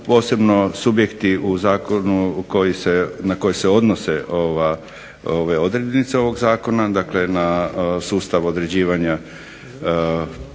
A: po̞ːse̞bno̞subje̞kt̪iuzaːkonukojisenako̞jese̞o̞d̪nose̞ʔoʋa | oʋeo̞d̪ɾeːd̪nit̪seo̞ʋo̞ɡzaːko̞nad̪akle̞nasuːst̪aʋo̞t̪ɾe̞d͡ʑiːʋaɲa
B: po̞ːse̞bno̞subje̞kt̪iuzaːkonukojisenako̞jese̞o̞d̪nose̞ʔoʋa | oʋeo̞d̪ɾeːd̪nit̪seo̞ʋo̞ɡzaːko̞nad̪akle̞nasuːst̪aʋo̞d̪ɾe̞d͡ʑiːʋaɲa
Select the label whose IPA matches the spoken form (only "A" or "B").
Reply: B